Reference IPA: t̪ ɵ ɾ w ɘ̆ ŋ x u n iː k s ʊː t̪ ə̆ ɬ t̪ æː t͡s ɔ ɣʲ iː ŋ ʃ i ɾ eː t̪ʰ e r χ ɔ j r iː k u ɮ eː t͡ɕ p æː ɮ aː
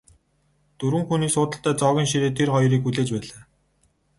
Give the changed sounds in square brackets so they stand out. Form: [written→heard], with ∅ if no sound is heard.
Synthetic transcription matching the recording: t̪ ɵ ɾ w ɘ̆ ŋ x u n iː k s ʊː t̪ ə̆ ɬ t̪ æː t͡s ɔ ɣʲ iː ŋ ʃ i ɾ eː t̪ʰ e r χ ɔ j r iː k u ɮ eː t͡ɕ p æː ɮ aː